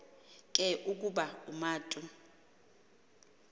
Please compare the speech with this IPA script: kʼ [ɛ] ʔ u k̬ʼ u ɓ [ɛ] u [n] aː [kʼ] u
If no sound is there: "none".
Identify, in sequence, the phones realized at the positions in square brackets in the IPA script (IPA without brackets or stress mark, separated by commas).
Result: ɛ, a, m, tʼ